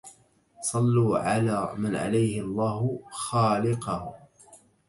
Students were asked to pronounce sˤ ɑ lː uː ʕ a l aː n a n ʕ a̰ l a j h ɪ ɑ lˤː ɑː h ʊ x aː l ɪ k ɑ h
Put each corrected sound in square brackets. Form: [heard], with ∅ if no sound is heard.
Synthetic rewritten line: sˤ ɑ lː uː ʕ a l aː [m] a n ʕ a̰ l a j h ɪ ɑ lˤː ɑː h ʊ x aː l ɪ [q] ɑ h